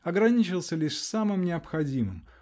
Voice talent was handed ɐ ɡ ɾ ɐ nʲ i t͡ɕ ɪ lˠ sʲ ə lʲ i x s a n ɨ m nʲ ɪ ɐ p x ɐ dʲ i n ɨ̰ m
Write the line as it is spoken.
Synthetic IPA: ɐ ɡ ɾ ɐ nʲ i t͡ɕ ɪ lˠ sʲ ə lʲ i ʂ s a m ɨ m nʲ ɪ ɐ p x ɐ dʲ i m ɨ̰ m